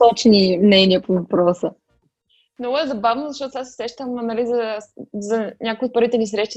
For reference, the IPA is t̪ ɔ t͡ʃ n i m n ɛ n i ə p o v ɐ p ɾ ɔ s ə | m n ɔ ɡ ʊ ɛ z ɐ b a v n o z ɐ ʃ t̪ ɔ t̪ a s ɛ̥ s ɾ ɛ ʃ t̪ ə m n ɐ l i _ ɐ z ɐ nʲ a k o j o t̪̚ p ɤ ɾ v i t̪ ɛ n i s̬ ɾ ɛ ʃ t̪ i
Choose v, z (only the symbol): z